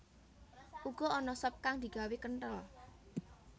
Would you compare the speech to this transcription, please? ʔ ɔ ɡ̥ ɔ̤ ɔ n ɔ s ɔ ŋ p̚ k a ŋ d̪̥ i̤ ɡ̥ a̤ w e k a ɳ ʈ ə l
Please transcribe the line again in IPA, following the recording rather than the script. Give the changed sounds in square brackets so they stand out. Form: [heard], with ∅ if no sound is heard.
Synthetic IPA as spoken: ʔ [u] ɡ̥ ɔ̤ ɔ n ɔ s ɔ [∅] p̚ k a ŋ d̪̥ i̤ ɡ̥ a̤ w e k [ə] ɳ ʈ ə l